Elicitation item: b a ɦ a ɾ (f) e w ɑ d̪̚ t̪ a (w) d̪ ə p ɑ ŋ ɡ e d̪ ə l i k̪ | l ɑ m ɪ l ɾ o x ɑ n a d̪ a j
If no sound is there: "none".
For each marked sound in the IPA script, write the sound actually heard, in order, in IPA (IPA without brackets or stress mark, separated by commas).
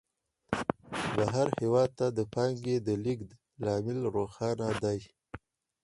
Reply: h, none